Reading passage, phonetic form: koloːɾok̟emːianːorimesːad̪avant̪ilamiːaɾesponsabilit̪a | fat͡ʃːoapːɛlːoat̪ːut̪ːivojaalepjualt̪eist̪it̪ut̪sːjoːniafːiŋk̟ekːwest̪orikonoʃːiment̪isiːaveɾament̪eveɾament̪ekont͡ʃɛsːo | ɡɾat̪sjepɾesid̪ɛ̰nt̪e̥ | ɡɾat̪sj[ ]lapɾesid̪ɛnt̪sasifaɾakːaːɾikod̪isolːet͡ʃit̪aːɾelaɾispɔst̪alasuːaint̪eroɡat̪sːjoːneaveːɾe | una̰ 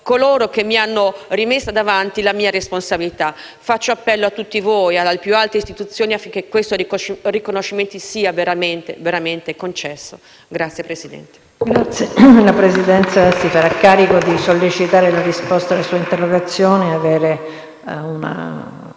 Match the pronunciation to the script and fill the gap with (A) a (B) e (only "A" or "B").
B